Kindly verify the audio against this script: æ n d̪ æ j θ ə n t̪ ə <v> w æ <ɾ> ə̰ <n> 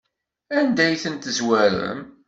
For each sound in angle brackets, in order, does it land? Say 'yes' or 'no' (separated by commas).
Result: no, yes, no